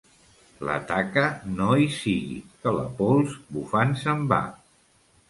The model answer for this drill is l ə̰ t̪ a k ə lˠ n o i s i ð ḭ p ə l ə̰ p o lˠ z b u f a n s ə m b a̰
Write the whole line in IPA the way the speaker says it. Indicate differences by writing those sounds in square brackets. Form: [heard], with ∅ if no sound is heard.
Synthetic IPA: l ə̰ t̪ a k ə [∅] n o i s i [ɣ] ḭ [k] ə l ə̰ p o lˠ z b u f a n s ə m b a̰